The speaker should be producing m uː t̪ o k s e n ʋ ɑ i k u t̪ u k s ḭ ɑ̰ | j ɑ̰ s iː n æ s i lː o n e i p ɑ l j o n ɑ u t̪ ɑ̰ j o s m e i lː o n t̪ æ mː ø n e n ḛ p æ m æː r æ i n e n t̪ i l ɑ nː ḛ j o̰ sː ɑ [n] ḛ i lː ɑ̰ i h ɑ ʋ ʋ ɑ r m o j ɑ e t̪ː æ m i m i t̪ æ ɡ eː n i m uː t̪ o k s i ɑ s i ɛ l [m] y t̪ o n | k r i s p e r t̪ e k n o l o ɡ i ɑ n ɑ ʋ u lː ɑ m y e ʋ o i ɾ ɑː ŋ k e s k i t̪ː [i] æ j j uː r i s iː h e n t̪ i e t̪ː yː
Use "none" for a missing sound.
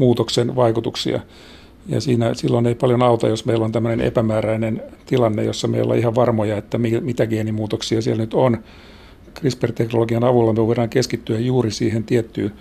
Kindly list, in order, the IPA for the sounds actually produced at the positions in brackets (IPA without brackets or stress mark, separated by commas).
m, n, y